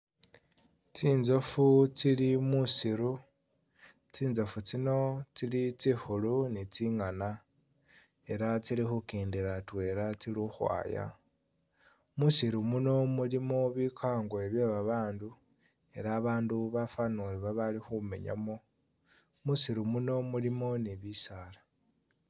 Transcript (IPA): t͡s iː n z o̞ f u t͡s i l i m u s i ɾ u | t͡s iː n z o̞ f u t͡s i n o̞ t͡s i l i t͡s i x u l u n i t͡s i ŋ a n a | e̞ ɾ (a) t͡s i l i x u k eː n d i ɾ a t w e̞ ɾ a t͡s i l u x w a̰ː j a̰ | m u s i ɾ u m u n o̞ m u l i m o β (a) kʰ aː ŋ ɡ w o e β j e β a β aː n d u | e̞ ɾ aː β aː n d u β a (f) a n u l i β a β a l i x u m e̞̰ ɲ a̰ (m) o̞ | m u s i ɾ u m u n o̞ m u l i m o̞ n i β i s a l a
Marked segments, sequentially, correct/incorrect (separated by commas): correct, incorrect, correct, correct